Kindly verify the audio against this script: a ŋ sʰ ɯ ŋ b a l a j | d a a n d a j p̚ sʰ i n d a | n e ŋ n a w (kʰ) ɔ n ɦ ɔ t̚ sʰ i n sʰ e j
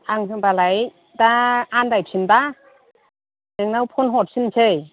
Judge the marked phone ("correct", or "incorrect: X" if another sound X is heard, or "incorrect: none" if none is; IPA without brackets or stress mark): incorrect: pʰ